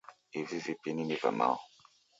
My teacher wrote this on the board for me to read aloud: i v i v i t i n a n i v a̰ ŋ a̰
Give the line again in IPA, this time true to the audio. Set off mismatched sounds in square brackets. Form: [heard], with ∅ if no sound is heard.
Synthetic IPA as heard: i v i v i [p] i n [i] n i v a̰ [m] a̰